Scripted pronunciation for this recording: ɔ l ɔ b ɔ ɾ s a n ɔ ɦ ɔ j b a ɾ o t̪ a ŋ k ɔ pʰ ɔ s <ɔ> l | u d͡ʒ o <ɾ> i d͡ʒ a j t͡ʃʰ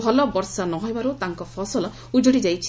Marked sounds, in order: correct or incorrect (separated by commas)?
correct, incorrect